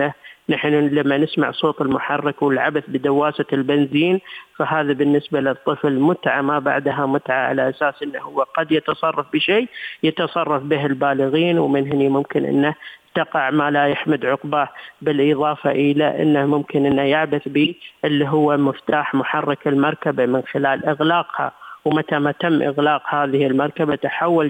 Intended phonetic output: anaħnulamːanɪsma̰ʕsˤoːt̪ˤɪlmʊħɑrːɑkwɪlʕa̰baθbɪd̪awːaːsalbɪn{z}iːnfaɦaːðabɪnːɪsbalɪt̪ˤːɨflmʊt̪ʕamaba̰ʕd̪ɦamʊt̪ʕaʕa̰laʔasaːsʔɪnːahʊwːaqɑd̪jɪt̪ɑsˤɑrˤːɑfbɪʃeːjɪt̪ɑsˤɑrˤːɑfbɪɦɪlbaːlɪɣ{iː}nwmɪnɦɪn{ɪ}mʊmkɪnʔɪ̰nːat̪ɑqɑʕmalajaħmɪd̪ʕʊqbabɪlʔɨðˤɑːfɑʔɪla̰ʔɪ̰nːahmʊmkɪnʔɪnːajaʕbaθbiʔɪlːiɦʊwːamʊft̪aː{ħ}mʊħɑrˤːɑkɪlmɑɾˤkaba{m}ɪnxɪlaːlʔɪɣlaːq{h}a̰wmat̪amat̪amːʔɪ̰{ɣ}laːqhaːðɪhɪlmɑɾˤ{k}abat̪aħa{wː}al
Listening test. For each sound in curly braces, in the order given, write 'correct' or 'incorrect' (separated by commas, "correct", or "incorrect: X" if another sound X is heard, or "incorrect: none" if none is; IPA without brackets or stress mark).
correct, correct, incorrect: i, correct, correct, correct, correct, correct, correct